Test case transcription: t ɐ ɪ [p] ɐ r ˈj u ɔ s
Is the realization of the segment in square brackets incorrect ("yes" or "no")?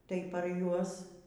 no